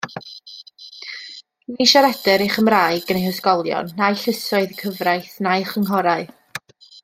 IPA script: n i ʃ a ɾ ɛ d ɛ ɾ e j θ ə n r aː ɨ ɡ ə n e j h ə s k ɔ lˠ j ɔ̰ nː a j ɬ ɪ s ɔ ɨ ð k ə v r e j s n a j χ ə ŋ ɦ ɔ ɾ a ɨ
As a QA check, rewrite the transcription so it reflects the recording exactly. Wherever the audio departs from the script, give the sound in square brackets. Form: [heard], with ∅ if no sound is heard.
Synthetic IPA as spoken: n i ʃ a ɾ ɛ d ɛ ɾ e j [χ] ə [m] r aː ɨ ɡ ə n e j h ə s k ɔ lˠ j ɔ̰ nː a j ɬ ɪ s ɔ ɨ ð [kʰ] ə v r [a] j [θ] n a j χ ə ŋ ɦ ɔ ɾ a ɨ